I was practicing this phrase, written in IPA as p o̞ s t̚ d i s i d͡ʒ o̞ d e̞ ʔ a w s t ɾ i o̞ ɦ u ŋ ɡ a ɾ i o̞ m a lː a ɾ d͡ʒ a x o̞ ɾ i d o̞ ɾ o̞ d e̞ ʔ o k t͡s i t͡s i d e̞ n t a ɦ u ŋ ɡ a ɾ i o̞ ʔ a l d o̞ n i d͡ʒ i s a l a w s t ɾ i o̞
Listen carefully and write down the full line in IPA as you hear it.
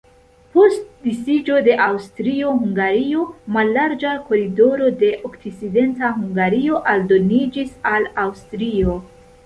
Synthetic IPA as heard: p o̞ s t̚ d i s i d͡ʒ o̞ d e̞ ʔ a w s t ɾ i o̞ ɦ u ŋ ɡ a ɾ i o̞ m a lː a ɾ d͡ʒ a k o̞ ɾ i d o̞ ɾ o̞ d e̞ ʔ o k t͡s i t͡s i d e̞ n t a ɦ u ŋ ɡ a ɾ i o̞ ʔ a l d o̞ n i d͡ʒ i s a l a w s t ɾ i o̞